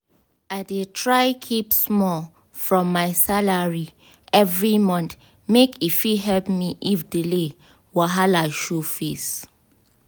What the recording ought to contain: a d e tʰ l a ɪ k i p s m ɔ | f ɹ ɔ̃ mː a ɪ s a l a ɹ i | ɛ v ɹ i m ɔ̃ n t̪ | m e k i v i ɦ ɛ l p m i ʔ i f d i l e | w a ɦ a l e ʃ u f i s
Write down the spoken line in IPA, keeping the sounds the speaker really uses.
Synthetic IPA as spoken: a d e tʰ ɹ a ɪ kʰ i p s m ɔ | f ɹ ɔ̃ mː a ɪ s a l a ɹ i | ɛ v ɹ i m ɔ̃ n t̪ | m e k i f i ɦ ɛ l p m i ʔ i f d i l e | w a ɦ a l a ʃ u f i s